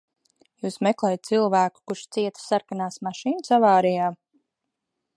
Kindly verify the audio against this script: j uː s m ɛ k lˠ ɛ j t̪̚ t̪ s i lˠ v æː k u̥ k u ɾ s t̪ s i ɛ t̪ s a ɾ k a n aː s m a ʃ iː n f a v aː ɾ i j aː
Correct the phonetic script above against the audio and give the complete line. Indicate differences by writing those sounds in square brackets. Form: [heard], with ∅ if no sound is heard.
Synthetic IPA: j uː s m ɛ k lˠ ɛ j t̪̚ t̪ s i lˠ v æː k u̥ k u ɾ [ʃ] t̪ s i ɛ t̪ s a ɾ k a n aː s m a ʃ iː n [s] a v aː ɾ i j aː